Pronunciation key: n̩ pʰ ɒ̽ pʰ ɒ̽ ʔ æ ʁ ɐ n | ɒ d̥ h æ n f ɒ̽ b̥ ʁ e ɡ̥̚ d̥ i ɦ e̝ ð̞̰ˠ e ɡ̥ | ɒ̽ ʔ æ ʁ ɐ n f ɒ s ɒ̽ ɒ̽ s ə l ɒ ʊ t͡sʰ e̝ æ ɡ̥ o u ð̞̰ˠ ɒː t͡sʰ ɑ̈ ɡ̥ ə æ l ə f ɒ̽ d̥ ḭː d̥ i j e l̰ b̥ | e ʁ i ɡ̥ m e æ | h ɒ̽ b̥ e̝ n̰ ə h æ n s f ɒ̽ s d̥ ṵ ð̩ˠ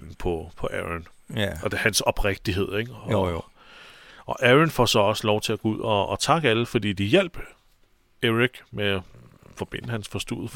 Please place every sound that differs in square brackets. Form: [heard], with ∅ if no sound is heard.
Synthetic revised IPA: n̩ pʰ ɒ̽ pʰ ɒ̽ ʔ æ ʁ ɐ n | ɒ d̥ h æ n [s] ɒ̽ b̥ ʁ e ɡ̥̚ d̥ i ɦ e̝ ð̞̰ˠ e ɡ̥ | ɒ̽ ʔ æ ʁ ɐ n f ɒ s ɒ̽ ɒ̽ s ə l ɒ ʊ t͡sʰ e̝ æ ɡ̥ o u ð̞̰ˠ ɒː t͡sʰ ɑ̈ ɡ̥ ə æ l ə f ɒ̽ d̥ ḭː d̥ i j e l̰ b̥ | e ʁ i ɡ̥ m e æ | [f] ɒ̽ b̥ e̝ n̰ ə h æ n s f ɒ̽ s d̥ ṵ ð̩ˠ